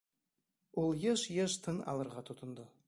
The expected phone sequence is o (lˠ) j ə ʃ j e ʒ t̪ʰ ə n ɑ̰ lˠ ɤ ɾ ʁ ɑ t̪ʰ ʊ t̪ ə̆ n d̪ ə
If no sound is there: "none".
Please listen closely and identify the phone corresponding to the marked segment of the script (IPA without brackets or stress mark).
lˠ